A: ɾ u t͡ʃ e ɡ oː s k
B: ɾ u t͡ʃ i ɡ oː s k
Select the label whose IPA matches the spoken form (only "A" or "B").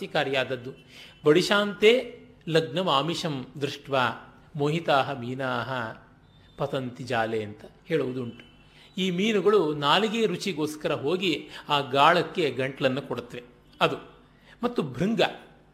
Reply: B